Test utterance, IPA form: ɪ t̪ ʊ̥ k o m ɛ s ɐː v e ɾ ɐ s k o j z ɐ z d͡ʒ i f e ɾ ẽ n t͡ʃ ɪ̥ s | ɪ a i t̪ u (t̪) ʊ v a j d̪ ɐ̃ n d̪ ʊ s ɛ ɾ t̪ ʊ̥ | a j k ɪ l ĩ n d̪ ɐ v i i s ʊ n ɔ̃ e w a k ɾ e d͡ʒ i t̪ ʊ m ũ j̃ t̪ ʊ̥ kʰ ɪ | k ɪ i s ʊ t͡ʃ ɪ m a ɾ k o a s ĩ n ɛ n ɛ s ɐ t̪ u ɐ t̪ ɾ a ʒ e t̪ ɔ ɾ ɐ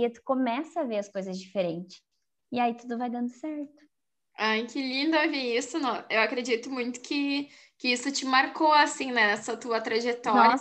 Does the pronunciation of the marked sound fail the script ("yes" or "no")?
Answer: yes